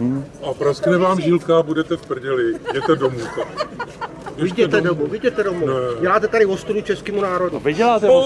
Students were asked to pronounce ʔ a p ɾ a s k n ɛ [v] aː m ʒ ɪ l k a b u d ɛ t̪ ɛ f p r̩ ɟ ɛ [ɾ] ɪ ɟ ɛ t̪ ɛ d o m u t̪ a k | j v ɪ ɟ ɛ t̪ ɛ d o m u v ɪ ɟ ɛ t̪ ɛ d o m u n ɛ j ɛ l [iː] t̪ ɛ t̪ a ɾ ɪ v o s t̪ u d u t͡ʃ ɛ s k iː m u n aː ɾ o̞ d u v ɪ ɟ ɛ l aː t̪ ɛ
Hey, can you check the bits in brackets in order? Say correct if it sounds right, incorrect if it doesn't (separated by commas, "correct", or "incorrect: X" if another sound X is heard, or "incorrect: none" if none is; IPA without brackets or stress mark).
correct, incorrect: l, incorrect: aː